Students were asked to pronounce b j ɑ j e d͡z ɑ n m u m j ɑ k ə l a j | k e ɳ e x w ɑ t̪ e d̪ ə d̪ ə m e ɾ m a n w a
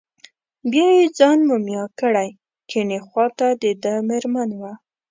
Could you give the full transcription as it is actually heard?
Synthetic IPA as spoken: b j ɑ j e d͡z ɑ n m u m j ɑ k ə ɽ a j | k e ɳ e x w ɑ t̪ a d̪ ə d̪ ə m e ɾ m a n w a